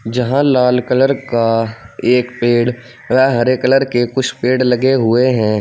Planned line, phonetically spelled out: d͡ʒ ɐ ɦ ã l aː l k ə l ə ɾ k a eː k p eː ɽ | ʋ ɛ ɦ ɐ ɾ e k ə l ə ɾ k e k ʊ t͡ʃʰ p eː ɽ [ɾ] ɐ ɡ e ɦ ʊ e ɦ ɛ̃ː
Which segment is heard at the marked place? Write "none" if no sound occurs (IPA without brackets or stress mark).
l